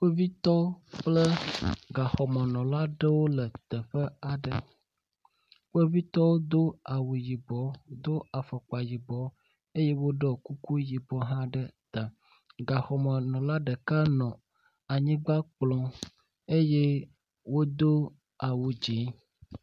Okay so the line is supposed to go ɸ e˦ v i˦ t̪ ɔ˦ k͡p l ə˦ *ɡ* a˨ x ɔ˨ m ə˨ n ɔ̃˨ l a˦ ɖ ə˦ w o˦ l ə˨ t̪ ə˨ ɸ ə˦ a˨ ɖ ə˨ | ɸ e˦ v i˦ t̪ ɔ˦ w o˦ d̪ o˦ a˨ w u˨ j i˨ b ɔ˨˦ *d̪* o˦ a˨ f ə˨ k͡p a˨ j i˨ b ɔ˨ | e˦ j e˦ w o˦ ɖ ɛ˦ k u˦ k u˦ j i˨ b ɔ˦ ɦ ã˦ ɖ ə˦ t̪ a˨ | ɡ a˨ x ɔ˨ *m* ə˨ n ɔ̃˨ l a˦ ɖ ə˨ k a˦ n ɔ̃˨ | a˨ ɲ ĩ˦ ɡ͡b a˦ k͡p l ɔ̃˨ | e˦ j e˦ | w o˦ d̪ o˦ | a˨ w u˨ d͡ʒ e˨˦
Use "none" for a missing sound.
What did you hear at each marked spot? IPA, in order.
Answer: ɡ, d̪, m

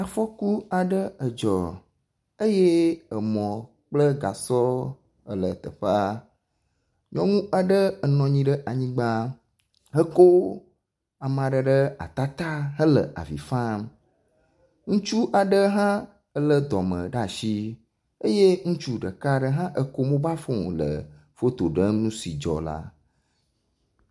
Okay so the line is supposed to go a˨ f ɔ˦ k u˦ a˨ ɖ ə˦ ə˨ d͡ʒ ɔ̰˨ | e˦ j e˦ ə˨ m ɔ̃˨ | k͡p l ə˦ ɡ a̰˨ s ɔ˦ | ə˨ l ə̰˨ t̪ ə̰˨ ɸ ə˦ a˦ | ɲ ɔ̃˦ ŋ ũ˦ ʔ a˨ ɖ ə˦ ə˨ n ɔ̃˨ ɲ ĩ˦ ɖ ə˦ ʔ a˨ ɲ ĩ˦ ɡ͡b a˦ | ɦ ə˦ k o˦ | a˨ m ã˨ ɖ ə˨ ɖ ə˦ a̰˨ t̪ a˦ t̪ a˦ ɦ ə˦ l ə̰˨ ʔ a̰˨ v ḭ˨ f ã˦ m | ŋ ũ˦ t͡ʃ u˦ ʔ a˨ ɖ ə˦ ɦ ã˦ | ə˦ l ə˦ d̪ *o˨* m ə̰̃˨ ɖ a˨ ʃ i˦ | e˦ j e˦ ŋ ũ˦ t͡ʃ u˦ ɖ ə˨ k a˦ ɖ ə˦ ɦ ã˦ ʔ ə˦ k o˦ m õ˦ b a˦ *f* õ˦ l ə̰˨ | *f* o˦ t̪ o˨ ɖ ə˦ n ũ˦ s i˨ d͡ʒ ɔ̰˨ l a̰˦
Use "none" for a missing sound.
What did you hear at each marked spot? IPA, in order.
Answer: ɔ˨, f, f

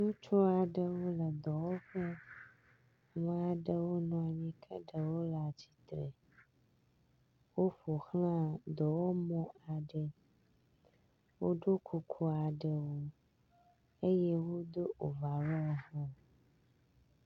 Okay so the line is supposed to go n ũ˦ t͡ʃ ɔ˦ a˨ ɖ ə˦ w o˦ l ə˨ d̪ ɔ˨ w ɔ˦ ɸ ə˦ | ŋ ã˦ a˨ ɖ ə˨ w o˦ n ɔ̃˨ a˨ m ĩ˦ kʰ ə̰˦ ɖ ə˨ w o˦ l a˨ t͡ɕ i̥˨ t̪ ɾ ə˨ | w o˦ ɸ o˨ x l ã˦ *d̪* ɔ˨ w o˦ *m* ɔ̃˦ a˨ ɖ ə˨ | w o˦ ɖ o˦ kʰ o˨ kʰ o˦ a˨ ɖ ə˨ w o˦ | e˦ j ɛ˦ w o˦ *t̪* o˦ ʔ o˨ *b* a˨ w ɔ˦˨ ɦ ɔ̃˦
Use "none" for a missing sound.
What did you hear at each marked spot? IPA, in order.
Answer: d̪, m, d̪, v

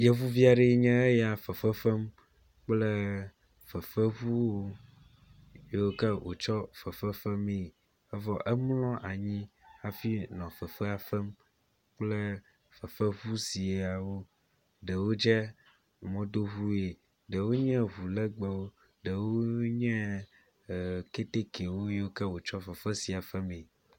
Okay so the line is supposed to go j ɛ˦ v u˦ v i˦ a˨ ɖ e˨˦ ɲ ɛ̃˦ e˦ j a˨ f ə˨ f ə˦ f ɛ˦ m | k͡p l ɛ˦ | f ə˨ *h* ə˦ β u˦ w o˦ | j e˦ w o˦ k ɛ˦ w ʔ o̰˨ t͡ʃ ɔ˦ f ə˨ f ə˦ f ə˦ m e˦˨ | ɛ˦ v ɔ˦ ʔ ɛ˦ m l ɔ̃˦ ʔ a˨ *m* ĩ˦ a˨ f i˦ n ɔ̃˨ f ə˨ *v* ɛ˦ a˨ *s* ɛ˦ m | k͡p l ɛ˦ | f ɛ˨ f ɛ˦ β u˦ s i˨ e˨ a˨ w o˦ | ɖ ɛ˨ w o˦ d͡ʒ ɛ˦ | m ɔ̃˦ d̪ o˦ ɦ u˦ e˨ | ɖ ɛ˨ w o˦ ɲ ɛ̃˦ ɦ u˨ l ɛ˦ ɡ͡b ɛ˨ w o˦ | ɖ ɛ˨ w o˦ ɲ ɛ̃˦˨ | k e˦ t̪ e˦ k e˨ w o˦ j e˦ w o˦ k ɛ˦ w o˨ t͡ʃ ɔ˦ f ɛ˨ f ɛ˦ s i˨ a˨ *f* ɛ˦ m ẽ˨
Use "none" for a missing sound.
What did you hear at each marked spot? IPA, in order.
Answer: f, ɲ, f, f, f

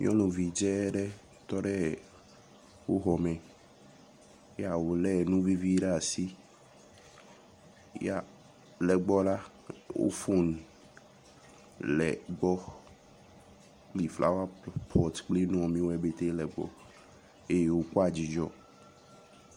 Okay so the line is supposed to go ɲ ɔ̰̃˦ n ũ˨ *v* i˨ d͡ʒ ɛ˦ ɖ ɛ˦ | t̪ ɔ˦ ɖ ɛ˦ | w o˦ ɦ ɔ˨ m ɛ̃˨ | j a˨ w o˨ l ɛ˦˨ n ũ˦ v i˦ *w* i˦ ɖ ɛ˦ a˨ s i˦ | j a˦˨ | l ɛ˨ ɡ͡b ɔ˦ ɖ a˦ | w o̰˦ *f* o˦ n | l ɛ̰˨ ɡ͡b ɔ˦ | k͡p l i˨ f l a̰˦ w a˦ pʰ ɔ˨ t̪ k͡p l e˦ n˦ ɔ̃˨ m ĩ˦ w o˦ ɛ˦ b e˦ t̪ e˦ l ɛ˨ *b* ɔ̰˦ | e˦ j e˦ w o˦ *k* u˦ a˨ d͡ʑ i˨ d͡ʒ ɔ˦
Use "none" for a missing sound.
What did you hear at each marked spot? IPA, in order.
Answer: v, v, f, ɡ͡b, k

